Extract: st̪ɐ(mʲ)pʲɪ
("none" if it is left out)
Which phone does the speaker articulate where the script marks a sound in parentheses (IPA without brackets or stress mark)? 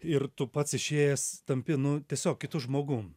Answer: mʲ